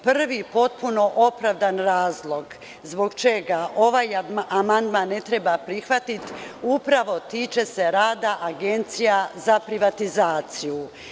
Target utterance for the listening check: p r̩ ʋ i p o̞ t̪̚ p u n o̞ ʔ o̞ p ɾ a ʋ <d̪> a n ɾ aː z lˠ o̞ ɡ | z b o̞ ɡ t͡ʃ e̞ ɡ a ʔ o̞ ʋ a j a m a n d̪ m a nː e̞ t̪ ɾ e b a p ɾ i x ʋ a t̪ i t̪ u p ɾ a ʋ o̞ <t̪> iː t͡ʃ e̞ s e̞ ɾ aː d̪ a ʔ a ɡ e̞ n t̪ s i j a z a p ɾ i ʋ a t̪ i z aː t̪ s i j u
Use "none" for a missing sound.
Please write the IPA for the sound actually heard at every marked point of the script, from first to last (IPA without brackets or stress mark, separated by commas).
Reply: d̪, t̪